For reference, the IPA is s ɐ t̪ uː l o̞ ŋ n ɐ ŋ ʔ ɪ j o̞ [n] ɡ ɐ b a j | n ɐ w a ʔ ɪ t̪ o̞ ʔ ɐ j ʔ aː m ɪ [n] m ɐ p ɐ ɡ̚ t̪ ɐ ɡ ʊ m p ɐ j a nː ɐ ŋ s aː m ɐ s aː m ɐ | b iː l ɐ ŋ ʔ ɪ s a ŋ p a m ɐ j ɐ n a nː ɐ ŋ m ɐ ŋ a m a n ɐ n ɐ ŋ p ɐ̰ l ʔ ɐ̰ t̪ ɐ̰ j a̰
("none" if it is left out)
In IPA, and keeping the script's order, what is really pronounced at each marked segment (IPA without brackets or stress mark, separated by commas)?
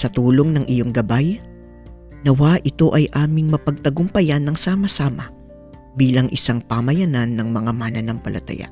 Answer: ŋ, ŋ